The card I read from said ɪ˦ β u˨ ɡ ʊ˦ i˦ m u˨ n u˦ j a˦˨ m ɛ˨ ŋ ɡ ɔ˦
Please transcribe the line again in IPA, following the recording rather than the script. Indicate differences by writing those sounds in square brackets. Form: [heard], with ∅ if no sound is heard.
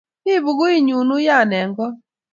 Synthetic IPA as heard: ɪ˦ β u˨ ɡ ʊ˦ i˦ [ɲ] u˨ n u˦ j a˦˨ [n] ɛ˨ ŋ ɡ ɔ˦